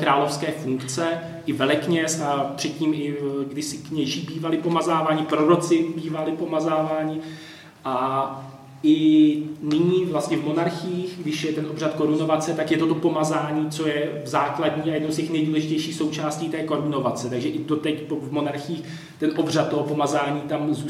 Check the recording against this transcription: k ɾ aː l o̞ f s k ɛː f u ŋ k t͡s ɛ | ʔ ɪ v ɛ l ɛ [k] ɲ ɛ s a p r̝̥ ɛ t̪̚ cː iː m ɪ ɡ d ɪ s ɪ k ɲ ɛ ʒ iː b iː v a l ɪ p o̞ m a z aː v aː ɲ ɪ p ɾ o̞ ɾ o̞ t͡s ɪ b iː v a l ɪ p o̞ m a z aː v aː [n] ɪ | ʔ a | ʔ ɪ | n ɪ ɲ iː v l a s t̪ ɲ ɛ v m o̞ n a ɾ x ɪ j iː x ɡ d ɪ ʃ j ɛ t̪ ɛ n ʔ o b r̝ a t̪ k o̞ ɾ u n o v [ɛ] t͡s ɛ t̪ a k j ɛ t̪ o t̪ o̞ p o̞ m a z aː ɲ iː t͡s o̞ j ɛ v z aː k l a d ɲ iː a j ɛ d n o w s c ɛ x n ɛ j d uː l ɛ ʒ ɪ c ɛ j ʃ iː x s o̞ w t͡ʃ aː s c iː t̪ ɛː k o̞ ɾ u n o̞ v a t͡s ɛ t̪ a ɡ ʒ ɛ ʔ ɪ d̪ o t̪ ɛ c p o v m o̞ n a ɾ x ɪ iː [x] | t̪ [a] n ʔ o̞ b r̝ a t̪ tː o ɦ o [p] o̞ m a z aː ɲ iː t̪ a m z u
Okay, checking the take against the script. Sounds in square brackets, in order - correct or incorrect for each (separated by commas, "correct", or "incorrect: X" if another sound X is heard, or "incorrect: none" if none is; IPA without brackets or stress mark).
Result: correct, incorrect: ɲ, incorrect: a, correct, incorrect: ɛ, correct